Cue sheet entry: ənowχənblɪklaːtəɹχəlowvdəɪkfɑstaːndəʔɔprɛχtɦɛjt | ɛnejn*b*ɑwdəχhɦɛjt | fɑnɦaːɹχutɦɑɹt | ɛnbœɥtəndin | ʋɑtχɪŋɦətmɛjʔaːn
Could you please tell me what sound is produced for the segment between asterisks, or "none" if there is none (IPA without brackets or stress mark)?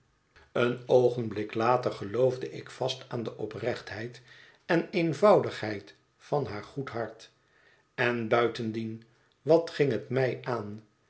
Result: v